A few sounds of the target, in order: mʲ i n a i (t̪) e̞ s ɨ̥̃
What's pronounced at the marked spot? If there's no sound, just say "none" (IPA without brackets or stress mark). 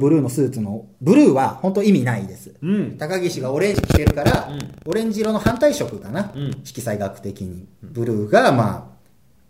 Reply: d̪